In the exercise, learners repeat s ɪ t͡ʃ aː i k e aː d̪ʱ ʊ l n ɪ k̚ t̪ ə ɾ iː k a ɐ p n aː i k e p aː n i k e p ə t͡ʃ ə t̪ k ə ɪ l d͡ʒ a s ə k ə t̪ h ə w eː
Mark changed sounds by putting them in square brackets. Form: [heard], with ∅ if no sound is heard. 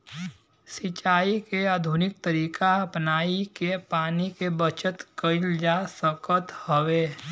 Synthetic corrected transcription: s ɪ t͡ʃ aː i k e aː d̪ʱ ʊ [∅] n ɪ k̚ t̪ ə ɾ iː k a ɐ p n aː i k e p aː n i k e [b] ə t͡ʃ ə t̪ k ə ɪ l d͡ʒ a s ə k ə t̪ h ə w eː